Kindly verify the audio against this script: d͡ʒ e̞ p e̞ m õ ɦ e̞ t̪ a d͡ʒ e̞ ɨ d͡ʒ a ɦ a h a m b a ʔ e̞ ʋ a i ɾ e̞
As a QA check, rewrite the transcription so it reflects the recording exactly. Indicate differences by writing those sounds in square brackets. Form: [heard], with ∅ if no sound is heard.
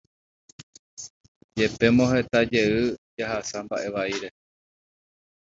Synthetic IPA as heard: d͡ʒ e̞ p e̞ m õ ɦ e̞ t̪ a d͡ʒ e̞ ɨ d͡ʒ a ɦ a [s] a m b a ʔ e̞ ʋ a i ɾ e̞